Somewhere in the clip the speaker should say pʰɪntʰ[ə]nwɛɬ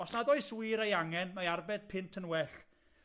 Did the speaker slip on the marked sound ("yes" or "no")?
no